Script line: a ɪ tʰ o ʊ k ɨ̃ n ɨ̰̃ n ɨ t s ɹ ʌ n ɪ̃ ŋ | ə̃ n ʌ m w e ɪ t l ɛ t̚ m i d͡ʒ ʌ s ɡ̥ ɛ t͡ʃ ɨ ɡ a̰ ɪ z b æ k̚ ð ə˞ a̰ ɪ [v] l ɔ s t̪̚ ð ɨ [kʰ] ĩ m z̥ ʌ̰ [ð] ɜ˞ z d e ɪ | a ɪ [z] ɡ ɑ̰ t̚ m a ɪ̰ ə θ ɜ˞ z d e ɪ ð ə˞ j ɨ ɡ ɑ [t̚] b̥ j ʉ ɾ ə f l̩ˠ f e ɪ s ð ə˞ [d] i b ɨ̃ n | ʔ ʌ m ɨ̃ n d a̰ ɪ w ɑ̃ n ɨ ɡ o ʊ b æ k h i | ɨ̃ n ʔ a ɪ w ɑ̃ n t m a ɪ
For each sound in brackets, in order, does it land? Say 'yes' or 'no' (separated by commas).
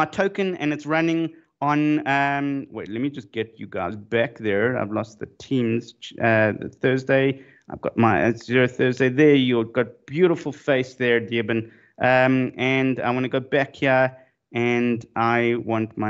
yes, no, no, no, yes, yes